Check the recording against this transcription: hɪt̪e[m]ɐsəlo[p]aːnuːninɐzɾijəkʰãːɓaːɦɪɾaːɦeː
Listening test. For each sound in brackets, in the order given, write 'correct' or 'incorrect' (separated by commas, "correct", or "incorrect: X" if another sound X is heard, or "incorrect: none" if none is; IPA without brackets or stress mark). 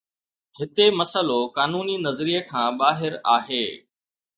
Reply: correct, incorrect: k